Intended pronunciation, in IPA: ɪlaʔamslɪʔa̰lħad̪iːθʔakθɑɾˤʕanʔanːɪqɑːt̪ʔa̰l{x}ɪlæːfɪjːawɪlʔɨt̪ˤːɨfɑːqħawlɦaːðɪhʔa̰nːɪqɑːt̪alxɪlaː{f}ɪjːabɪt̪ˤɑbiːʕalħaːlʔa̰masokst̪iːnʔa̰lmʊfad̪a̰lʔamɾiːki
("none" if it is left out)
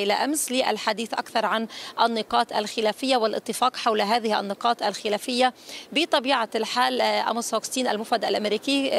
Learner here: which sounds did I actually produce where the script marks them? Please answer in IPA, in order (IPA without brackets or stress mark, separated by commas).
x, f